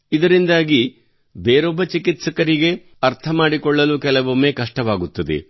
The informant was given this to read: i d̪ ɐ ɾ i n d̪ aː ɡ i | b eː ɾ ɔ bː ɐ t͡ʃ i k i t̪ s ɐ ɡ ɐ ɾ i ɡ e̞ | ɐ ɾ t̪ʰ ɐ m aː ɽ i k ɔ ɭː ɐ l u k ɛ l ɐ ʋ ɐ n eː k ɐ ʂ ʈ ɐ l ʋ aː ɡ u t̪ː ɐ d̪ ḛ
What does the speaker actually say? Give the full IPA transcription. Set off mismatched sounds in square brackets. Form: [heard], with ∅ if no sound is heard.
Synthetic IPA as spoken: i d̪ ɐ ɾ i n d̪ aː ɡ i | b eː ɾ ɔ bː ɐ t͡ʃ i k i t̪ s ɐ [k] ɐ ɾ i ɡ e̞ | ɐ ɾ t̪ʰ ɐ m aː ɽ i k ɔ ɭː ɐ l u k ɛ l ɐ ʋ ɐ [m] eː k ɐ ʂ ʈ ɐ [∅] ʋ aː ɡ u t̪ː ɐ d̪ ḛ